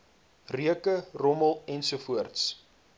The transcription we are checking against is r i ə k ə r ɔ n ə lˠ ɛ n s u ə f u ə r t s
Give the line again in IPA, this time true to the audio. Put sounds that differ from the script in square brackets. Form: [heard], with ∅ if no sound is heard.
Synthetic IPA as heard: r i ə k ə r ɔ [m] ə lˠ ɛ n s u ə f u ə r t s